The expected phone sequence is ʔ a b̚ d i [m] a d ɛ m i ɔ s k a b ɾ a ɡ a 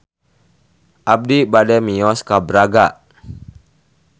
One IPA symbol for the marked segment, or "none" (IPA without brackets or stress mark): b